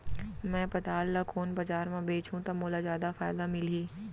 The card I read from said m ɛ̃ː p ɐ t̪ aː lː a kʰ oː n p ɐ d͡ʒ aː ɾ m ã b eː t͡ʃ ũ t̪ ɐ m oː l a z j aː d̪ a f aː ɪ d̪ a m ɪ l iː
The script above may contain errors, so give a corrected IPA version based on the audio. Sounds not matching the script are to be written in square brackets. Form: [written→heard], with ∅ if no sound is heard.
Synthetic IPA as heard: m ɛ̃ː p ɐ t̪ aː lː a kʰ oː n [p→b] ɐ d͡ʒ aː ɾ m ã b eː t͡ʃ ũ t̪ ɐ m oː l a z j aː d̪ a f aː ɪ d̪ a m ɪ l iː